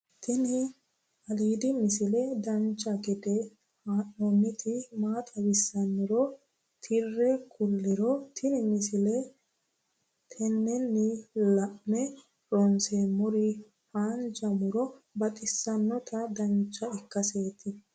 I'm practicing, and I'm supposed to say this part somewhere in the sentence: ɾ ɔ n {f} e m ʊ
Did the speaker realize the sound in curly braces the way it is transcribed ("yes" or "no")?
no